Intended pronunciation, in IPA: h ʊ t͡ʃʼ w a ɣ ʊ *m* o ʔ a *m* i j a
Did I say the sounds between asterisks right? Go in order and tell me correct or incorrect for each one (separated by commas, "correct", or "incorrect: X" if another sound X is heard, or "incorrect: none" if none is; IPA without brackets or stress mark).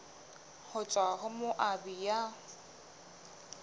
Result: correct, incorrect: b